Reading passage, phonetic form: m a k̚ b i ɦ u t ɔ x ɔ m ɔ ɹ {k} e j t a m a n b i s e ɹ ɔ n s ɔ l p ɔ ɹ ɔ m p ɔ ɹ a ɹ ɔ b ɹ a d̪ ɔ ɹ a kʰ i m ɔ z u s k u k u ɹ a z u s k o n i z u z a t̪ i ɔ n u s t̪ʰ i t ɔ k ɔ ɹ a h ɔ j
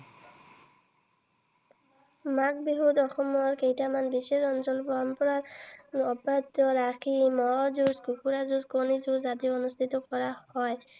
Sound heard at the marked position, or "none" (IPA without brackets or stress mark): k